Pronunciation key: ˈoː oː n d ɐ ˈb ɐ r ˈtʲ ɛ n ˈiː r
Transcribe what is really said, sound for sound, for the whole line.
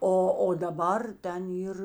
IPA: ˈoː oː d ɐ ˈb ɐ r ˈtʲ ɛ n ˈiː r